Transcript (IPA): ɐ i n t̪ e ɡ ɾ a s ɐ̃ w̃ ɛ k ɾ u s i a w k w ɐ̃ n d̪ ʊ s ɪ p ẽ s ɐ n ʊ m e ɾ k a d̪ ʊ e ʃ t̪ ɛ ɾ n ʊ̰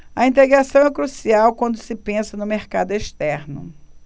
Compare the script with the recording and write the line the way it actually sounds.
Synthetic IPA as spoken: ɐ ĩ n t̪ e ɡ ɾ a s ɐ̃ w̃ ɛ k ɾ u s i a w k w ɐ̃ n d̪ ʊ s ɪ p ẽ s ɐ n ʊ m e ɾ k a d̪ ʊ e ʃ t̪ ɛ ɾ n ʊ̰